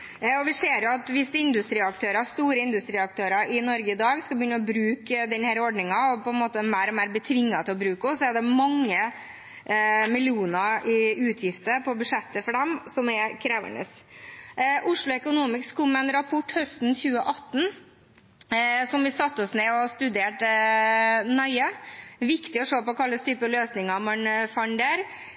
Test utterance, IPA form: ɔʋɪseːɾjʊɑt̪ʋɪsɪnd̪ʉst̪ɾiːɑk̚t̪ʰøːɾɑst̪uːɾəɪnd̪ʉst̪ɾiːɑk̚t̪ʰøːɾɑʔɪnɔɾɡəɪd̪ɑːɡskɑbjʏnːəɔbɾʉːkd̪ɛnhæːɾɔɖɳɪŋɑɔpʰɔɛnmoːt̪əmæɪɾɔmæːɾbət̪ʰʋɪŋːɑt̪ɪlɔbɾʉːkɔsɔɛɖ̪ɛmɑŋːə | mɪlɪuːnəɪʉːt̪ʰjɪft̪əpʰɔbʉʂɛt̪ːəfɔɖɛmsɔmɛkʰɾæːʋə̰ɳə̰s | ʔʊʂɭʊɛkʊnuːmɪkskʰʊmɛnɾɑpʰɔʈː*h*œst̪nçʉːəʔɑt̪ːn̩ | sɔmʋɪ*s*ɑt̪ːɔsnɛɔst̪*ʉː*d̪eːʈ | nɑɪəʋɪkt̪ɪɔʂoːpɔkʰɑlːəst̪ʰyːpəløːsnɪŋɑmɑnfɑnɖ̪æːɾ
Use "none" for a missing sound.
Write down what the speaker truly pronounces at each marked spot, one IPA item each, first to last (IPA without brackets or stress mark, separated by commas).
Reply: h, s, ʉ